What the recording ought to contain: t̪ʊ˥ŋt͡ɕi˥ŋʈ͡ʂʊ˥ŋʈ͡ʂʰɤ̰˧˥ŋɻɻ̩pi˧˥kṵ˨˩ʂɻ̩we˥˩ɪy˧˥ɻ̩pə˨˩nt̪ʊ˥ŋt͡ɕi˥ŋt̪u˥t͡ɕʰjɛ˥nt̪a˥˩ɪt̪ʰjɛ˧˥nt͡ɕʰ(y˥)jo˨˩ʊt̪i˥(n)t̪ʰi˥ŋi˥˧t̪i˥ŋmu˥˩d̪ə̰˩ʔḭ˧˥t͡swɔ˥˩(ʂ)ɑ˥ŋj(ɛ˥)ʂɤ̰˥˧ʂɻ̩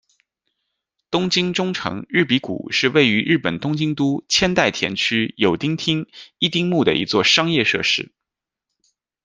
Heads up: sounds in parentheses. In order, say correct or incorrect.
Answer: correct, incorrect, correct, incorrect

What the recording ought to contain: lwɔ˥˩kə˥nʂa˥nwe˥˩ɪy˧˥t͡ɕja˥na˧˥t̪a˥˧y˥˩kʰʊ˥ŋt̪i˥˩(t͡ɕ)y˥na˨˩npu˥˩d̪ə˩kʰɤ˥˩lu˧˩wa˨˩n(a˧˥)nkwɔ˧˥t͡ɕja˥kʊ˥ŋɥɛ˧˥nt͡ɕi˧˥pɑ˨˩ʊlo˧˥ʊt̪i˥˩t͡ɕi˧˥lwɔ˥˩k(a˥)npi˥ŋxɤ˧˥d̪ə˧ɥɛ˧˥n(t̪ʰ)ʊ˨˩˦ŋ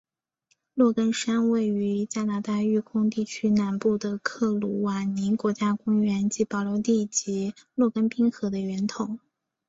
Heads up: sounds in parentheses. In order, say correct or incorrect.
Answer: incorrect, incorrect, incorrect, correct

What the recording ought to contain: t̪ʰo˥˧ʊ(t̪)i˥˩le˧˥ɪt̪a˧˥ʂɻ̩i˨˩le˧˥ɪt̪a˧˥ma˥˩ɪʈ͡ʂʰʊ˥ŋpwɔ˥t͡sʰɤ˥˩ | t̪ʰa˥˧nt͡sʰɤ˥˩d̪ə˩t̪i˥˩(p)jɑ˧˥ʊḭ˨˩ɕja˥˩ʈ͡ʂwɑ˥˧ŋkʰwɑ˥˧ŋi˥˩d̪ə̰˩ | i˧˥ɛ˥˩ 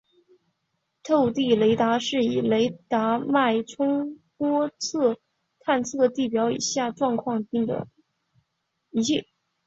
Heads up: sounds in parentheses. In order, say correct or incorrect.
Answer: correct, correct

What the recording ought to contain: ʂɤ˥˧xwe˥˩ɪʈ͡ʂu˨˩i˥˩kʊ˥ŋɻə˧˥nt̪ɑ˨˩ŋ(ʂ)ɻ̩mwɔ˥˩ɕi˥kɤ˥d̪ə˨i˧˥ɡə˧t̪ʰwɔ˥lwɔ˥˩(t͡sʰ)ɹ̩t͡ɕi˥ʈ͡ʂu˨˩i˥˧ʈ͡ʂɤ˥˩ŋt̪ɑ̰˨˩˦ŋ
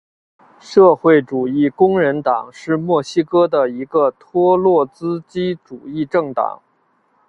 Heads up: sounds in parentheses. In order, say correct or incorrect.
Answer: correct, incorrect

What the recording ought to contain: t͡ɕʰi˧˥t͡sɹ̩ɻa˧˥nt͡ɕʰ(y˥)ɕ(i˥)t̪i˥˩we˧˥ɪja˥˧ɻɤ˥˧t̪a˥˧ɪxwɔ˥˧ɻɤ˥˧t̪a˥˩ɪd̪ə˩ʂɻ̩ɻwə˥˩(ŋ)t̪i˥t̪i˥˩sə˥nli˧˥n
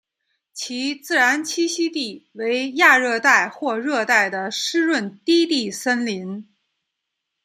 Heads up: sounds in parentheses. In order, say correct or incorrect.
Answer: incorrect, correct, incorrect

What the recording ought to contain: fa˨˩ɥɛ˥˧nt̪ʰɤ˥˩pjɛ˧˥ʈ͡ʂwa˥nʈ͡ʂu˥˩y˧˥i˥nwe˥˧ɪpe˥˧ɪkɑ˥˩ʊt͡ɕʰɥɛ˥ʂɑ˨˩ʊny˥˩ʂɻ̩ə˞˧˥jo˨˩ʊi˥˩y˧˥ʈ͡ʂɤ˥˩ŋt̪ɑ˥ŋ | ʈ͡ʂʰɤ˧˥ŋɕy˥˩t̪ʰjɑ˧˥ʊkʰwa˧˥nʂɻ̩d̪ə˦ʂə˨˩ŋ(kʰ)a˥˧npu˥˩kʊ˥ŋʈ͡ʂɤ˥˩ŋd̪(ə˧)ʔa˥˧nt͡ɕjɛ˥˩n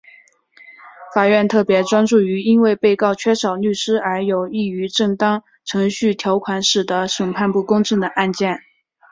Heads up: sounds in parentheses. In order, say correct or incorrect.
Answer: incorrect, incorrect

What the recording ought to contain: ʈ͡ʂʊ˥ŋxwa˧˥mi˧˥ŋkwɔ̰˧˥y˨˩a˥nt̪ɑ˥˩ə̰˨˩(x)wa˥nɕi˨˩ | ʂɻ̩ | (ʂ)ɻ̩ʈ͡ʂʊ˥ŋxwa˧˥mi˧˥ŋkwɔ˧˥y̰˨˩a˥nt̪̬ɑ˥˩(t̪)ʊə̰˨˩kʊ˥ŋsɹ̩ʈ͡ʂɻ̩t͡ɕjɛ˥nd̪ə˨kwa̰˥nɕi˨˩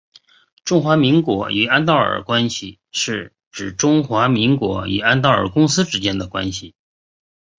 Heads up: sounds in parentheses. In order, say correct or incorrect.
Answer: incorrect, incorrect, incorrect

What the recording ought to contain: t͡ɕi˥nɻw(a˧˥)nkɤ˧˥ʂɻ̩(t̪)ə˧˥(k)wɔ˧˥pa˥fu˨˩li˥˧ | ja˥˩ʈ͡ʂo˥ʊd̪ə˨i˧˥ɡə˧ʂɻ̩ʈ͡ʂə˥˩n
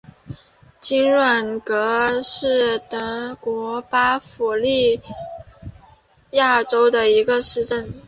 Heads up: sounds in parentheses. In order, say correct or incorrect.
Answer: incorrect, correct, correct

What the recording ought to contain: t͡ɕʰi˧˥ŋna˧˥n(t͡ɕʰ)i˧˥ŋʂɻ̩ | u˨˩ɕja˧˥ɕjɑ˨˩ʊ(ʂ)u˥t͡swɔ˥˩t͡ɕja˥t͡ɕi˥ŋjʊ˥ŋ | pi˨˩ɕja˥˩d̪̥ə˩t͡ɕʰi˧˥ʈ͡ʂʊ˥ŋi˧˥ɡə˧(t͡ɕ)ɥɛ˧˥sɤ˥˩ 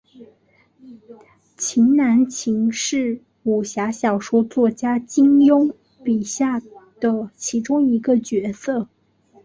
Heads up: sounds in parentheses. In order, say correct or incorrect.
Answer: correct, correct, correct

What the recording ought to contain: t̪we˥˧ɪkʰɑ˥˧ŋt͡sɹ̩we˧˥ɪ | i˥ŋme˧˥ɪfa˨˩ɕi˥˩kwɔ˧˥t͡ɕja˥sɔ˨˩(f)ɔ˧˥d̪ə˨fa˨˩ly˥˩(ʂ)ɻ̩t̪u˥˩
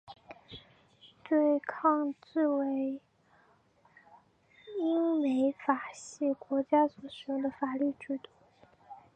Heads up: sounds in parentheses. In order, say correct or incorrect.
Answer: incorrect, incorrect

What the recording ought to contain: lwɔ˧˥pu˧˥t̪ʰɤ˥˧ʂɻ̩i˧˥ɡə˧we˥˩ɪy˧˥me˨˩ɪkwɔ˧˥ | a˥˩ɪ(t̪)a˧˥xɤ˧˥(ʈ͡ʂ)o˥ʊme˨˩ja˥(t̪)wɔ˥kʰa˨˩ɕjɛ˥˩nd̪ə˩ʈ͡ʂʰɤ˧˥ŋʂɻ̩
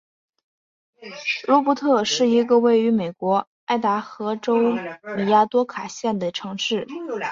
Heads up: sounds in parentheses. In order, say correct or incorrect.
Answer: correct, correct, correct

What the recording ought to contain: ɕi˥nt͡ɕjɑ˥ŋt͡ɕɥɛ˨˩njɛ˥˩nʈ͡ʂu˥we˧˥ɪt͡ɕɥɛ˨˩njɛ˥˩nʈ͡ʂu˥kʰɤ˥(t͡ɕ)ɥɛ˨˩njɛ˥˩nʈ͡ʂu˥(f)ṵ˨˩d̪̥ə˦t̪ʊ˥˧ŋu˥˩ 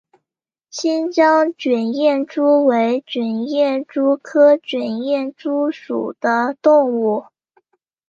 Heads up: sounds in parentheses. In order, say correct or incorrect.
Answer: correct, incorrect

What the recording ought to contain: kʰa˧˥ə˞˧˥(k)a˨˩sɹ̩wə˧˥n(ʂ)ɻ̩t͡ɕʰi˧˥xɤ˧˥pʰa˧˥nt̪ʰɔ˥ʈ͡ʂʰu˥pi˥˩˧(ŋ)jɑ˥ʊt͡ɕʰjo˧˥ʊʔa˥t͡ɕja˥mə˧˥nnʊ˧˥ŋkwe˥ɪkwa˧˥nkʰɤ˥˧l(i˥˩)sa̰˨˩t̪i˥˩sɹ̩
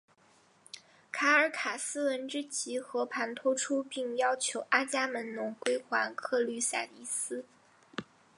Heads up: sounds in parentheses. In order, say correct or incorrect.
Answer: incorrect, incorrect, correct, incorrect

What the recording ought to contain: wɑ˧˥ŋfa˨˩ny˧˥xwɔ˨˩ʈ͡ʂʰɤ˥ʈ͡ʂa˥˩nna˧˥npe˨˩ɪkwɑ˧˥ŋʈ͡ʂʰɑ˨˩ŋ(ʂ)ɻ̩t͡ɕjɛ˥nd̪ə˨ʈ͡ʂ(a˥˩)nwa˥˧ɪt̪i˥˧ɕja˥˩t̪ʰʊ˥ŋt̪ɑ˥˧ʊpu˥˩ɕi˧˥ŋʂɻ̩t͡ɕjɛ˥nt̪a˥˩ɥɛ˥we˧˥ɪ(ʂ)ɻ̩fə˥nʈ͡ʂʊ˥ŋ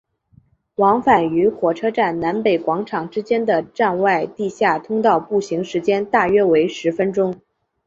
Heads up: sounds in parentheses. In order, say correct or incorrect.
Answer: incorrect, incorrect, correct

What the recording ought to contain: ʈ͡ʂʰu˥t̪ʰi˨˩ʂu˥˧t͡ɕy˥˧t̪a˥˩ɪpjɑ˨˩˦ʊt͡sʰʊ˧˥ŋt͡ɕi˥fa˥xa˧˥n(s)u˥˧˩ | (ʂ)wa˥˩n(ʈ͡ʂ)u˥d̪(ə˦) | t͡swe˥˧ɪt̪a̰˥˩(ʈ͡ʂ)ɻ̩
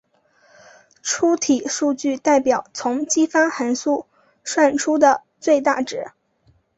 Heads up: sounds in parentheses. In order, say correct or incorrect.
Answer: correct, correct, incorrect, incorrect, correct

